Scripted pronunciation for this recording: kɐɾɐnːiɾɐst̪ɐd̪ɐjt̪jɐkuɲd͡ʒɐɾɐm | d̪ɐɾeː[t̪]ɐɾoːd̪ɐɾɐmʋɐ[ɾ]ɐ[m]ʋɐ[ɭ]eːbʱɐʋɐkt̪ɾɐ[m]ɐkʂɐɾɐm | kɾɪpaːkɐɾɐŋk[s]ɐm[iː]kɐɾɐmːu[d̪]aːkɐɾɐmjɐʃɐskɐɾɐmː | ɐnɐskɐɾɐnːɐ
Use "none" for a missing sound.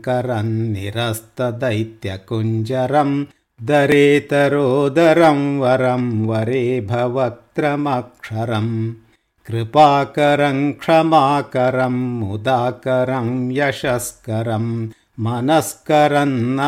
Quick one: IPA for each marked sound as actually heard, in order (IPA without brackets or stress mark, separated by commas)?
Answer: t̪, ɾ, m, ɾ, m, ʂ, aː, d̪